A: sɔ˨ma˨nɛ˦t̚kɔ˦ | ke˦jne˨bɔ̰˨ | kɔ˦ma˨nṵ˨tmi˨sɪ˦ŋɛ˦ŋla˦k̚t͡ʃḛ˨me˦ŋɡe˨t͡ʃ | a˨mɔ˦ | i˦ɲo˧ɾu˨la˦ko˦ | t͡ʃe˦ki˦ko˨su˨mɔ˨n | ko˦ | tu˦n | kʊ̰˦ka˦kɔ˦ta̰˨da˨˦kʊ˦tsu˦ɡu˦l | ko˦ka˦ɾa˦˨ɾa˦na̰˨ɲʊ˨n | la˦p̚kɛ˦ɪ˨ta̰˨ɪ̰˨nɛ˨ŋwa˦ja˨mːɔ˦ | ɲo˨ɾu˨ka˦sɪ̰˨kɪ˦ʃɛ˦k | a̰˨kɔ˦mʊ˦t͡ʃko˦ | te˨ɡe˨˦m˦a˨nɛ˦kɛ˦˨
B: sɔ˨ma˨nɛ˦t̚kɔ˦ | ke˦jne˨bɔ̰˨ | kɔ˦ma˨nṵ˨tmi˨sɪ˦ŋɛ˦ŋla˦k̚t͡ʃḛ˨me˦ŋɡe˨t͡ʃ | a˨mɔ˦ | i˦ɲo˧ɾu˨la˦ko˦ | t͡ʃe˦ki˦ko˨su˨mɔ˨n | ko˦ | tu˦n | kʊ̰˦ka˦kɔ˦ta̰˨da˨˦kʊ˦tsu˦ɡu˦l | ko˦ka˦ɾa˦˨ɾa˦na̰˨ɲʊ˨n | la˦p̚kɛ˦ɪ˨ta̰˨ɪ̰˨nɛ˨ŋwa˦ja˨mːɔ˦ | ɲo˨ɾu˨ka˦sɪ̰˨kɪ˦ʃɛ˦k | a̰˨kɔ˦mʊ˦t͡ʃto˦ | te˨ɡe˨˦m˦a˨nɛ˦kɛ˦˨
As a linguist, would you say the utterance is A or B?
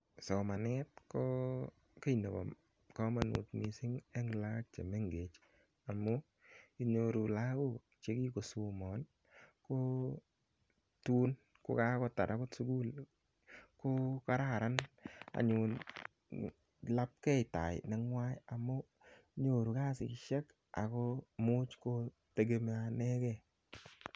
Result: A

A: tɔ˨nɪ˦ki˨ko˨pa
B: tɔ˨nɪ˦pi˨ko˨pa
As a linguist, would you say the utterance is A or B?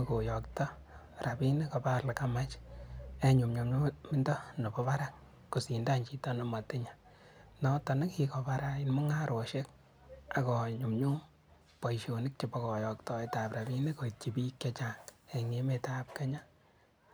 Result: A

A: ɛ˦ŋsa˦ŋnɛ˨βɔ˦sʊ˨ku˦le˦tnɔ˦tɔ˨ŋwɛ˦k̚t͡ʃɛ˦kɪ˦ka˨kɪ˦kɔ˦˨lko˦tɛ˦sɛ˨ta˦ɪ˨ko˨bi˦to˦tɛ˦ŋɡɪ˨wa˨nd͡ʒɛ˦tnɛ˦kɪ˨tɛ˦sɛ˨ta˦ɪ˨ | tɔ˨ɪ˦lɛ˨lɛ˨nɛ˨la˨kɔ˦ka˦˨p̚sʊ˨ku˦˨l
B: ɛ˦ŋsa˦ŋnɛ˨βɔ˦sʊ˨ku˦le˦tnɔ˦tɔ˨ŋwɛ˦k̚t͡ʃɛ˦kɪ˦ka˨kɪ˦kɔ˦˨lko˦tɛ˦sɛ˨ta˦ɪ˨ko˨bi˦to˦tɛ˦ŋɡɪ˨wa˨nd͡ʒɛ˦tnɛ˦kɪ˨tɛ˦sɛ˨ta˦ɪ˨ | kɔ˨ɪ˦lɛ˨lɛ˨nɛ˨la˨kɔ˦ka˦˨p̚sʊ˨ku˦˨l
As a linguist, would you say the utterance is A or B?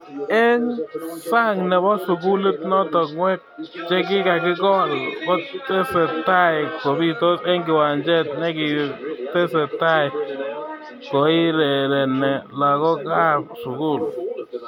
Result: B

